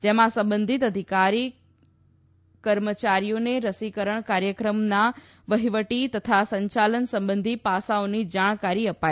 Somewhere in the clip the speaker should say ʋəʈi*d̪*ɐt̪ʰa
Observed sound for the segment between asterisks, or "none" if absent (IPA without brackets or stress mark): t̪